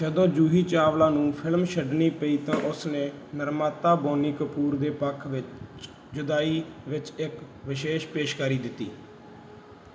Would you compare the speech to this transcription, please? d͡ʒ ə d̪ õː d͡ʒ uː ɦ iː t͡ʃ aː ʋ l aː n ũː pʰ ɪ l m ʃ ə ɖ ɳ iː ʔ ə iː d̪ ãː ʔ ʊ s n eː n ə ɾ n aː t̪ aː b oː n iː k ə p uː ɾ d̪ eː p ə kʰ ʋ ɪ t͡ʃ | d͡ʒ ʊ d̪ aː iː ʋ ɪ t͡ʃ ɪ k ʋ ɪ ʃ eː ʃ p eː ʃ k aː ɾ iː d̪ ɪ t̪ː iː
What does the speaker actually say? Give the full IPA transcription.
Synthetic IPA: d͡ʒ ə d̪ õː d͡ʒ uː ɦ iː t͡ʃ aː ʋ l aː n ũː pʰ ɪ l m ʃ ə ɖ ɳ iː p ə iː t̪ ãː ʔ ʊ s n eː n ə ɾ m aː t̪ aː b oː n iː k ə p uː ɾ d̪ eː p ə kʰ ʋ ɪ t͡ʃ | d͡ʒ ʊ d̪ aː iː ʋ ɪ t͡ʃ ɪ k ʋ ɪ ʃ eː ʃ p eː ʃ k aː ɾ iː d̪ ɪ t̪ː iː